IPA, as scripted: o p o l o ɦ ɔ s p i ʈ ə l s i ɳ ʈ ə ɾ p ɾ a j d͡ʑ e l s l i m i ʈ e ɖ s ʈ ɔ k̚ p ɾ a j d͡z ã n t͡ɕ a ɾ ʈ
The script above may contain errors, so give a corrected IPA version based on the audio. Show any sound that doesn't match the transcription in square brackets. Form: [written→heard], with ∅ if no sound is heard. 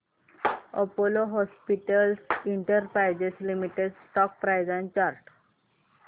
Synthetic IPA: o p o l o ɦ ɔ s p i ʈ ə l s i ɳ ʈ ə ɾ p ɾ a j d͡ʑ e [l→∅] s l i m i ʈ e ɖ s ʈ ɔ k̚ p ɾ a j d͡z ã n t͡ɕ a ɾ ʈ